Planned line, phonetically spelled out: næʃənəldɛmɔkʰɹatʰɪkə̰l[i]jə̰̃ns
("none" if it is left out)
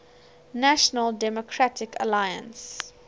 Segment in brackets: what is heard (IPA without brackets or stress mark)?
a